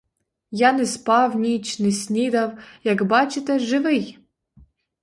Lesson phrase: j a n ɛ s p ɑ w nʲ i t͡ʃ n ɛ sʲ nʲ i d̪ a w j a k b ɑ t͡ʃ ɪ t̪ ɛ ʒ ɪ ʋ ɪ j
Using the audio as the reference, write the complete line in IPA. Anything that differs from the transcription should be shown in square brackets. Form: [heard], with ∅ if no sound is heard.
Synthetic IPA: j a n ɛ s p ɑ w nʲ i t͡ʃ n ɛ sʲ nʲ i d̪ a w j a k b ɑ t͡ʃ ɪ t̪ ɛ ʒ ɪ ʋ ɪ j